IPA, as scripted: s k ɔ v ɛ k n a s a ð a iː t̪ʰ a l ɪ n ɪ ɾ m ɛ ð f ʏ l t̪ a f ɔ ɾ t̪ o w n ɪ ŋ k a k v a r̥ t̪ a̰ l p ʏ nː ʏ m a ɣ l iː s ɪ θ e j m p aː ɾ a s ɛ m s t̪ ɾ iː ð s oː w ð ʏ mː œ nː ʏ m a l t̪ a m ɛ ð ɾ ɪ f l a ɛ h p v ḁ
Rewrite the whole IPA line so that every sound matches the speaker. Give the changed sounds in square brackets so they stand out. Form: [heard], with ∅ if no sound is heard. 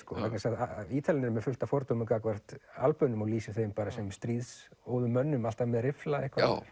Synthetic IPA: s k ɔ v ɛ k n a s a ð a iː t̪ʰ a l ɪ n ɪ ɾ m ɛ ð f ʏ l t̪ a f ɔ ɾ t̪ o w [m] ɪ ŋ k a k v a r̥ t̪ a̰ l p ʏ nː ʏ m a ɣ l iː s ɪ θ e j m p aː ɾ a s ɛ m s t̪ ɾ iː ð s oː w ð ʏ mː œ nː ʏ m a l t̪ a m ɛ ð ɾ ɪ f l a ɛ h [k] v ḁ

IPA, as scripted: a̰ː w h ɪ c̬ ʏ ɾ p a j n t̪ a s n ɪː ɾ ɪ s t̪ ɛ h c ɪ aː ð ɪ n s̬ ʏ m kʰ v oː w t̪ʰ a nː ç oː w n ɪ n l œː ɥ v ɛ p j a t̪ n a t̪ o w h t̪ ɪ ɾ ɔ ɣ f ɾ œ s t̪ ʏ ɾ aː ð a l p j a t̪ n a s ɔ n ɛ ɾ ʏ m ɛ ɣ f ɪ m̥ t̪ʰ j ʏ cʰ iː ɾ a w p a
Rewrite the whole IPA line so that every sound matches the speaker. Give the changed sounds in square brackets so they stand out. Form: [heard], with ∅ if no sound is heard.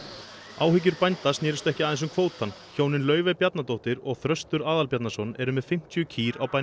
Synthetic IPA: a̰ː w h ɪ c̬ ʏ ɾ p a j n t̪ a s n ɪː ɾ ɪ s t̪ ɛ h c ɪ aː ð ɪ n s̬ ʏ m kʰ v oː w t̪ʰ a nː ç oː w n ɪ n l œː ɥ v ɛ p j a t̪ n a t̪ o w h t̪ ɪ ɾ ɔ ɣ [θ] ɾ œ s t̪ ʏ ɾ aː ð a l p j a t̪ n a s ɔ n ɛ ɾ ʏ m ɛ [ð] f ɪ m̥ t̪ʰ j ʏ cʰ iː ɾ a w p a

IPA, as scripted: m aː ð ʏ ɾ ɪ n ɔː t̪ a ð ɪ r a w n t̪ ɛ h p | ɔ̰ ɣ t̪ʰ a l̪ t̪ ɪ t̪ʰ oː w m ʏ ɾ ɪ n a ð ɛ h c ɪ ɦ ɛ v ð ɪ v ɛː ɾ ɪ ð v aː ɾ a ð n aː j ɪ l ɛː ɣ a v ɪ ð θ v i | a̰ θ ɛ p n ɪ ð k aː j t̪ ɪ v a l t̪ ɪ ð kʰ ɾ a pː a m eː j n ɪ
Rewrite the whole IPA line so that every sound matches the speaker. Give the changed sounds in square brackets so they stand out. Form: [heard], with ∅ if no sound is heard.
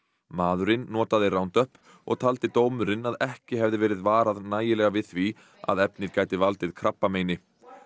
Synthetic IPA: m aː ð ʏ ɾ ɪ [nː] ɔː t̪ a ð ɪ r a w n t̪ [œ] h p | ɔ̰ ɣ t̪ʰ a l̪ t̪ ɪ [t̪] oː w m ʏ ɾ ɪ n a ð ɛ h c ɪ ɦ ɛ v ð ɪ v ɛː ɾ ɪ ð v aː ɾ a ð n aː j ɪ l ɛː ɣ a v ɪ ð θ v i | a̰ [ð] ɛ p n ɪ ð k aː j t̪ ɪ v a l t̪ ɪ ð kʰ ɾ a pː a m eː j n ɪ

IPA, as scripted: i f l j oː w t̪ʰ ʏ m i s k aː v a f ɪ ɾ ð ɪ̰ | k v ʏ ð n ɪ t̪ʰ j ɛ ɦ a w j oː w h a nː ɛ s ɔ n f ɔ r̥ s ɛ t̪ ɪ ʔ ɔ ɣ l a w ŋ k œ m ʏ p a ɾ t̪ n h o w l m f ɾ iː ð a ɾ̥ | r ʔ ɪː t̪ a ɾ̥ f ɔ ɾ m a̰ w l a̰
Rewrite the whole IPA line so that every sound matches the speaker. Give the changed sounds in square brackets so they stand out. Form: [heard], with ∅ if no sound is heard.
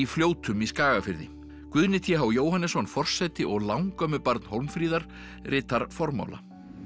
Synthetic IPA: i f l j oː w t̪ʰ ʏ m i s k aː [ɣ] a f ɪ ɾ ð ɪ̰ | k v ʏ ð n ɪ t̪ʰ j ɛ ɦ a w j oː w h a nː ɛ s ɔ n f ɔ r̥ s ɛ t̪ ɪ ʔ ɔ ɣ l a w ŋ k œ m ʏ p a ɾ t̪ n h o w l m f ɾ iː ð a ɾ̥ | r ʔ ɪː t̪ a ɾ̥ f ɔ ɾ m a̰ w l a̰

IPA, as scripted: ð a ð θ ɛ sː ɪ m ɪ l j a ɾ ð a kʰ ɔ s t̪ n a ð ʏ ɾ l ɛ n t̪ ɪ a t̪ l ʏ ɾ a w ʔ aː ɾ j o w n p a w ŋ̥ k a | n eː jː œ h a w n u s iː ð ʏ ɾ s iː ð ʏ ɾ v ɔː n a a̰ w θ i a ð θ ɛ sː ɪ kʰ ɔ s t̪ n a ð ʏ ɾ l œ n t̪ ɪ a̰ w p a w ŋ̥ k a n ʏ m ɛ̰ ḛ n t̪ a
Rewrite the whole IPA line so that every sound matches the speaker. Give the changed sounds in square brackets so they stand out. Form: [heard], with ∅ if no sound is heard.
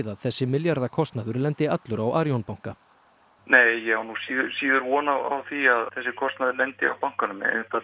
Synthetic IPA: ð a ð θ ɛ sː ɪ m ɪ l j a ɾ ð a kʰ ɔ s t̪ n a ð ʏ ɾ l ɛ n t̪ ɪ a t̪ l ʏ ɾ a w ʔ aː ɾ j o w n p a w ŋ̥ k a | n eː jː [ɛ] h a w n u s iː ð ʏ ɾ s iː ð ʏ ɾ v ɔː n a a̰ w θ i a ð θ ɛ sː ɪ kʰ ɔ s t̪ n a ð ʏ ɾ l [ɛ] n t̪ ɪ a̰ w p a w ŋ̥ k a n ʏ m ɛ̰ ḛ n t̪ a

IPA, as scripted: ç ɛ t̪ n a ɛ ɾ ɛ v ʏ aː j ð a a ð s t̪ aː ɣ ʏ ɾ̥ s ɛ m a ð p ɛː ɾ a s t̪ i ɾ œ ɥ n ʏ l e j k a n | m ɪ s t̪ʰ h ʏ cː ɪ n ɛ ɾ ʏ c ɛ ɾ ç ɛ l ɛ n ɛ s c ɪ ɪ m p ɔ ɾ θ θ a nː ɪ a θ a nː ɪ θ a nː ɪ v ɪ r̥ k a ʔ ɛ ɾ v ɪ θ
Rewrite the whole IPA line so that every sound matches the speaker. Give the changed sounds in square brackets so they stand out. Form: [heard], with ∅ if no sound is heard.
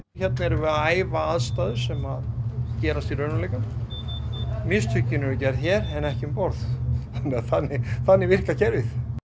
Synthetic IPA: ç ɛ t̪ n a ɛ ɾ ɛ v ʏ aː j [v] a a ð s t̪ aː [ð] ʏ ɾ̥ s ɛ m a ð [c] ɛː ɾ a s t̪ i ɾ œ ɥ n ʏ l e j k a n | m ɪ s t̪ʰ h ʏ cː ɪ n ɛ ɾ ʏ c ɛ ɾ ç ɛ [ɾ] ɛ n ɛ [h] c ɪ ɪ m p ɔ ɾ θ θ a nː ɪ a θ a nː ɪ θ a nː ɪ v ɪ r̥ k a [c] ɛ ɾ v ɪ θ

